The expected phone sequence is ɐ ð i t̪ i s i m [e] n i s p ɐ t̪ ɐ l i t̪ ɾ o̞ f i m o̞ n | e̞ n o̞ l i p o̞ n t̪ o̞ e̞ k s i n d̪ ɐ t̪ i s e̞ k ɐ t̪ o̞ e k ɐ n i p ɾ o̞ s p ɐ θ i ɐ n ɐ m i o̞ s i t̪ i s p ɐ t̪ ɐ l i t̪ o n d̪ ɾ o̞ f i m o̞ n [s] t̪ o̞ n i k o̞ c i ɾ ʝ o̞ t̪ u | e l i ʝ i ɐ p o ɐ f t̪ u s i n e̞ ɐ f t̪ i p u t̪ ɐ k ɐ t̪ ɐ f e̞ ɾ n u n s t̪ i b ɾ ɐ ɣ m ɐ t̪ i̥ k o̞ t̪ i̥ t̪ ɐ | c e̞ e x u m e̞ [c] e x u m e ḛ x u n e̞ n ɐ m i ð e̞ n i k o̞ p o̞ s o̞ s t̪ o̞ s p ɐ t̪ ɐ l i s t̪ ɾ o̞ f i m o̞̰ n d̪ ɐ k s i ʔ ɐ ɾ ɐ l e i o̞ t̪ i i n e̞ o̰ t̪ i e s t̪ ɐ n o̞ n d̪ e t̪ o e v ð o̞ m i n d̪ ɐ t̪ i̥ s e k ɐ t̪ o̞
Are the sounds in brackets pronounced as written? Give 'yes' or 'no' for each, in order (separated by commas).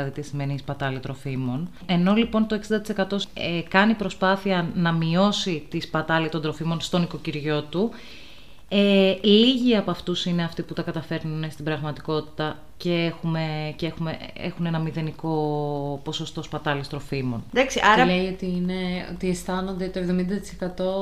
yes, yes, yes